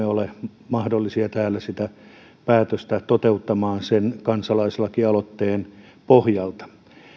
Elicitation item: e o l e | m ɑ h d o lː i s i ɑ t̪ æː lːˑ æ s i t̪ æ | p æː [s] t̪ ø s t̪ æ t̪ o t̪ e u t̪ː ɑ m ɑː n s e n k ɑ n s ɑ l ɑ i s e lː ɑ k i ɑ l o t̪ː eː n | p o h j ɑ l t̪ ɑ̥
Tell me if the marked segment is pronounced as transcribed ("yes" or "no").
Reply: no